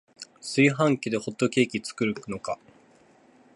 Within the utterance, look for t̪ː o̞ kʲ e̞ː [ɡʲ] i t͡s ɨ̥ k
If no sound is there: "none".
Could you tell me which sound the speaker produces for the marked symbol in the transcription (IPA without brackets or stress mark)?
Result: kʲ